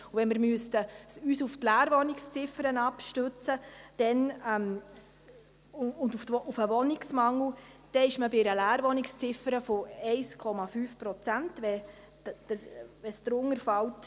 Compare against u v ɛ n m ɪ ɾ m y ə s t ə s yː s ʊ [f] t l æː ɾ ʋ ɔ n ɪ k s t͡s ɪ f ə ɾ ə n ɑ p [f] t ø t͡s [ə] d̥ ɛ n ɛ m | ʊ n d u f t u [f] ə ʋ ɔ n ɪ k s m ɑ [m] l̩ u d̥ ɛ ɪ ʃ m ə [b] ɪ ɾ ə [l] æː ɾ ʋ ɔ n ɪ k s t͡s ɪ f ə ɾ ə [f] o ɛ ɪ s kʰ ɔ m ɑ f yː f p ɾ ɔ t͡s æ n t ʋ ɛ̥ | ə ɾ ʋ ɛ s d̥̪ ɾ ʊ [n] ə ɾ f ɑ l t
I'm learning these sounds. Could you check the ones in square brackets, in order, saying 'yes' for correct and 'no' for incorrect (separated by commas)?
yes, no, yes, yes, no, yes, yes, yes, no